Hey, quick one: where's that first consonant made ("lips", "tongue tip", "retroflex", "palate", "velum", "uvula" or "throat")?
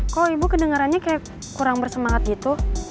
velum